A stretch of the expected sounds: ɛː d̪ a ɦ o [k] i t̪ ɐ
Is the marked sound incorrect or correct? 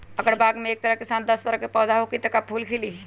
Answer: correct